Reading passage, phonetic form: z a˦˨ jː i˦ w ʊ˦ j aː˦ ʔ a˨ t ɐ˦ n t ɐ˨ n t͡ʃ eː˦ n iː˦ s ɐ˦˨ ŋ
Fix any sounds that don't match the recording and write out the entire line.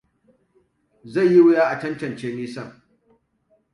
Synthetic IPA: z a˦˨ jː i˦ w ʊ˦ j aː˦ ʔ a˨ t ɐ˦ n t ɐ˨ n t͡ʃ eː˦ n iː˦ s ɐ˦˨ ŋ